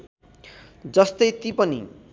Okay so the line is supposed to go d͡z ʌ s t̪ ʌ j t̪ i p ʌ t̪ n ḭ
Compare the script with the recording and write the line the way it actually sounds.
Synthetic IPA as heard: d͡z ʌ s t̪ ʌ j t̪ i p ʌ n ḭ

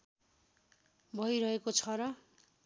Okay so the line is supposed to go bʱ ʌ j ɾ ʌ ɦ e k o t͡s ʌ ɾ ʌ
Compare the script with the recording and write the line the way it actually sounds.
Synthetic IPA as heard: bʱ ʌ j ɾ ʌ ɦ e k o t͡sʰ ʌ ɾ ʌ

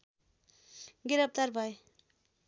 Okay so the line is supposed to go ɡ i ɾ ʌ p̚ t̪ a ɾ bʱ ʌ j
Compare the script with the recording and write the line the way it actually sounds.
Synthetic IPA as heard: ɡ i ɾ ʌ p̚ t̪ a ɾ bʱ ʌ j

